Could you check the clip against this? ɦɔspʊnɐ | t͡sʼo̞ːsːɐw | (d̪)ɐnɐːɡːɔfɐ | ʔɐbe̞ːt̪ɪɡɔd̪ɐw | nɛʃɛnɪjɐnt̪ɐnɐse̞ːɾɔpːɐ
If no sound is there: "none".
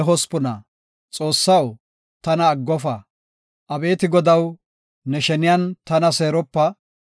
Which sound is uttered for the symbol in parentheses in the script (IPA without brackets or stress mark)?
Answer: t̪